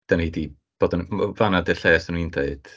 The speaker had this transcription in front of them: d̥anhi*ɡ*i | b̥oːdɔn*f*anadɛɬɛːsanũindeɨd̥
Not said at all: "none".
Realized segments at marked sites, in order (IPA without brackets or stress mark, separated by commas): d, v